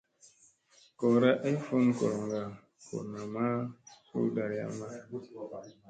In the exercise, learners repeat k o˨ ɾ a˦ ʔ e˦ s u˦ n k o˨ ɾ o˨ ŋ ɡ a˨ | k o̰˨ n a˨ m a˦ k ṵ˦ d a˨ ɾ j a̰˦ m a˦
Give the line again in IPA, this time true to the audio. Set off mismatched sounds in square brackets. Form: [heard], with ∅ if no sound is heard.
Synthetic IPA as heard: k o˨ ɾ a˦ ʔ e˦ [f] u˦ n k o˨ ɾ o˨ ŋ ɡ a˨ | k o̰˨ n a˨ m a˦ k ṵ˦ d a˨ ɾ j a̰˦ m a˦